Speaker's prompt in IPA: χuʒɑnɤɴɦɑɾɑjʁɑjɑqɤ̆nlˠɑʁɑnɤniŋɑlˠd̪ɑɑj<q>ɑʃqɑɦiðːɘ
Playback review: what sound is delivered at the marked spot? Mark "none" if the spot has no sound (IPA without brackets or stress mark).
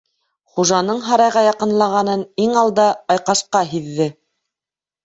q